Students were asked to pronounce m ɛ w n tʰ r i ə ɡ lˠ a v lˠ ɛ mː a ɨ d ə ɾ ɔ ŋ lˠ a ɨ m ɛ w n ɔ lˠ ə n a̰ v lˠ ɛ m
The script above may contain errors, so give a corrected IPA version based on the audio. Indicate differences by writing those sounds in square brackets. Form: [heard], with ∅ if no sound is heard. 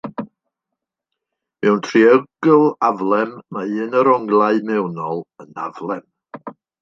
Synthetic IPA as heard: m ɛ w n tʰ r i ə ɡ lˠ a v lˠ ɛ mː a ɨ [n] ə ɾ ɔ ŋ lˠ a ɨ m ɛ w n ɔ lˠ ə n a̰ v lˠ ɛ m